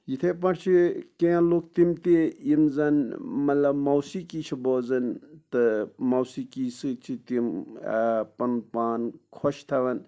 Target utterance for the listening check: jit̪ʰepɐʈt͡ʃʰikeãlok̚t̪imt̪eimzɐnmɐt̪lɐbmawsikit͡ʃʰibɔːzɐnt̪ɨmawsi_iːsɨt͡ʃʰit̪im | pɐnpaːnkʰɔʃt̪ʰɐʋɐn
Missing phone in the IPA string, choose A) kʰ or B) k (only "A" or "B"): B